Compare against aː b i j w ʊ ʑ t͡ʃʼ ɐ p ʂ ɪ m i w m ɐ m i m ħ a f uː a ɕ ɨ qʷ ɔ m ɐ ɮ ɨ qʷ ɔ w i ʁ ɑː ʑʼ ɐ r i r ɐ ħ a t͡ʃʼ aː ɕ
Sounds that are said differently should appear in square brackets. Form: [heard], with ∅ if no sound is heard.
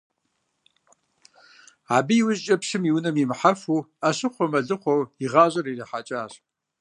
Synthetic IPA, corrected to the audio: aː b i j w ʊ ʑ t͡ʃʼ ɐ p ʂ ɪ m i w [n] ɐ m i m ħ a f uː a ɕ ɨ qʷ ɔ m ɐ ɮ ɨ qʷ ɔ w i ʁ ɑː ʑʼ ɐ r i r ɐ ħ a t͡ʃʼ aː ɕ

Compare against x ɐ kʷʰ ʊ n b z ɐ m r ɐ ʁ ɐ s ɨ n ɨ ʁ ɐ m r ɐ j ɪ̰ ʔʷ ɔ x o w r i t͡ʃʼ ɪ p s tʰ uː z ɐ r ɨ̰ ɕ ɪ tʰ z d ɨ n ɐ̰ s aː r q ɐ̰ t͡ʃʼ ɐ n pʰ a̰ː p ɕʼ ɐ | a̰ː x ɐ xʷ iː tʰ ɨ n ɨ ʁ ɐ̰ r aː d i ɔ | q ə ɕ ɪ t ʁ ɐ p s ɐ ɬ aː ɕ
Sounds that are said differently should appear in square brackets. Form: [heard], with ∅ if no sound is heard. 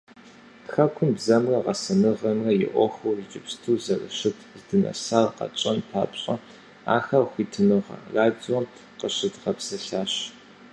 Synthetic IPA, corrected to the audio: x ɐ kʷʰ ʊ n b z ɐ m r ɐ ʁ ɐ s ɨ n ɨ ʁ ɐ m r ɐ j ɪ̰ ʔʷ ɔ x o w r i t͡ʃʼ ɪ p s tʰ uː z ɐ r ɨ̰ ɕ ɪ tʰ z d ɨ n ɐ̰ s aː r q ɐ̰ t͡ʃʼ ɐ n pʰ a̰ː p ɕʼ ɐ | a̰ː x ɐ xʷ iː tʰ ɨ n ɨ ʁ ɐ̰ r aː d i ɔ | q ə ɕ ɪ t ʁ ɐ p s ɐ ɬ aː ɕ

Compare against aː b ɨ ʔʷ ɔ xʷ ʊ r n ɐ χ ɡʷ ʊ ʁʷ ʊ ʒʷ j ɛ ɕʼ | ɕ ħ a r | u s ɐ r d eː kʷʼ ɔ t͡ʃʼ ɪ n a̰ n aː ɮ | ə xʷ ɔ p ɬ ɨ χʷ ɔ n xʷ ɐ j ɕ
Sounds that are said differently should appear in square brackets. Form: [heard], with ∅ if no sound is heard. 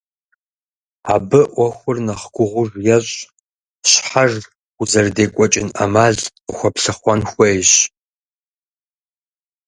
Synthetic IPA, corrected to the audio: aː b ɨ ʔʷ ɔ xʷ ʊ r n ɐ χ ɡʷ ʊ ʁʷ ʊ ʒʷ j ɛ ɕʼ | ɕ ħ a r | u [z] ɐ r d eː kʷʼ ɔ t͡ʃʼ ɪ n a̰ [m] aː ɮ | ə xʷ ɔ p ɬ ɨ χʷ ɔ n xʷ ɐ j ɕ

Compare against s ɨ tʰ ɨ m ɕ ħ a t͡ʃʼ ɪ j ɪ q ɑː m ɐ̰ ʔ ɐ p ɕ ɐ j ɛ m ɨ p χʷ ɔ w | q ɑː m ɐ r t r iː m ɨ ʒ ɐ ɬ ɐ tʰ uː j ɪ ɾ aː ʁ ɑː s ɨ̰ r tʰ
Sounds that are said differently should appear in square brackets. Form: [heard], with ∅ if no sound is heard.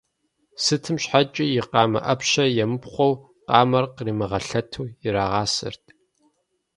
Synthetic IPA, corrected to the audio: s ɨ tʰ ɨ m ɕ ħ a t͡ʃʼ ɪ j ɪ q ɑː m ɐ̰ ʔ ɐ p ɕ ɐ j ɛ m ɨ p χʷ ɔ w | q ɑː m ɐ r [q] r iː m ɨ [ʁ] ɐ ɬ ɐ tʰ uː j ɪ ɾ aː ʁ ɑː s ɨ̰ r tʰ

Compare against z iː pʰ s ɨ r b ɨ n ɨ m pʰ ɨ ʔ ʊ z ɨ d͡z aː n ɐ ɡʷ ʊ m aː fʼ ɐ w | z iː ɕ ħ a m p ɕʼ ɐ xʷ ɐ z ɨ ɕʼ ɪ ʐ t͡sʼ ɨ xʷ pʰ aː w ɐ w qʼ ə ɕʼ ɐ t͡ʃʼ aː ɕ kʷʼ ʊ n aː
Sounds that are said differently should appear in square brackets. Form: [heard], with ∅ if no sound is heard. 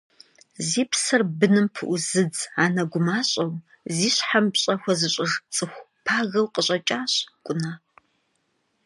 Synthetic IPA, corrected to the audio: z iː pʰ s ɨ r b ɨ n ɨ m pʰ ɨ ʔ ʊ z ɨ d͡z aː n ɐ ɡʷ ʊ m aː [ɕʼ] ɐ w | z iː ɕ ħ a m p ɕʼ ɐ xʷ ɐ z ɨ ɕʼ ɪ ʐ t͡sʼ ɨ xʷ pʰ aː [ɣ] ɐ w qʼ ə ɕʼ ɐ t͡ʃʼ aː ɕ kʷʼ ʊ n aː

